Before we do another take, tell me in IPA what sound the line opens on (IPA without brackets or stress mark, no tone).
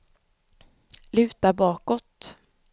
l